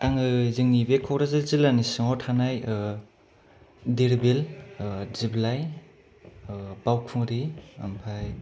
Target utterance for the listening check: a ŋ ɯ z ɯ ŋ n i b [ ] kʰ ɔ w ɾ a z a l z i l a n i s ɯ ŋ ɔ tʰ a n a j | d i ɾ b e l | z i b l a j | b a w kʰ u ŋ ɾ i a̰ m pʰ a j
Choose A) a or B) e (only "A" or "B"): B